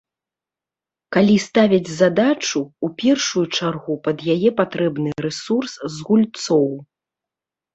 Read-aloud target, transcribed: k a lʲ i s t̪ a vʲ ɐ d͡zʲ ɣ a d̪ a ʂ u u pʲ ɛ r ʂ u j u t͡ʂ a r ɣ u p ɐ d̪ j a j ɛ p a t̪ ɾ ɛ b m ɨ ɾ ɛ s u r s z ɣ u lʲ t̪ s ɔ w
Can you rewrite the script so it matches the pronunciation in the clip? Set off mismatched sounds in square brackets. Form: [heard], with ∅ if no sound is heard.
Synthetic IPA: k a lʲ i s t̪ a vʲ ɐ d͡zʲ [z] a d̪ a [t͡ʂ] u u pʲ ɛ r ʂ u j u t͡ʂ a r ɣ u p ɐ d̪ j a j ɛ p a t̪ ɾ ɛ b [n] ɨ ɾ ɛ s u r s z ɣ u lʲ t̪ s ɔ w